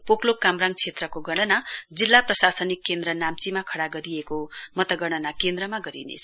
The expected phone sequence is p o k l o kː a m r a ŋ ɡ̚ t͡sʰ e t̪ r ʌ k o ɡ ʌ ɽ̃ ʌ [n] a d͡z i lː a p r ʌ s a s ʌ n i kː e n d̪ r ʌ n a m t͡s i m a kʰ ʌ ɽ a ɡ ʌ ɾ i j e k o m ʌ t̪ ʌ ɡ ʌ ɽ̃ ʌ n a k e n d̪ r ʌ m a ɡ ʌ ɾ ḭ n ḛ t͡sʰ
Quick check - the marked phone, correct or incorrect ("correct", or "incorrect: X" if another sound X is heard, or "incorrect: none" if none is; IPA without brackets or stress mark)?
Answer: correct